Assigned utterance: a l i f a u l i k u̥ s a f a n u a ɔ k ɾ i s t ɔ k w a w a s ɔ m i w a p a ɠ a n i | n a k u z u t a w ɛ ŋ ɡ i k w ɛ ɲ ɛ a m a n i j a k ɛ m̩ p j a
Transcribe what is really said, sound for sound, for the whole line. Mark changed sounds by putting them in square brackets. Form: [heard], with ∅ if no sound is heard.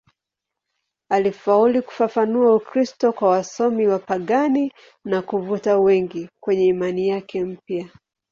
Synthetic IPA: a l i f a u l i k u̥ [f] a f a n u a [u] k ɾ i s t ɔ k w a w a s ɔ m i w a p a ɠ a n i | n a k u [v] u t a w ɛ ŋ ɡ i k w ɛ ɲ ɛ [i] m a n i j a k ɛ m̩ p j a